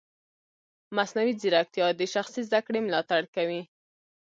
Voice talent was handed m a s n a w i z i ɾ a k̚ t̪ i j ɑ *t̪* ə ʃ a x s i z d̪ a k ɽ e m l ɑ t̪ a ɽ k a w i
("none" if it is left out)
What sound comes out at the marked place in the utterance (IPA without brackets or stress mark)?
d̪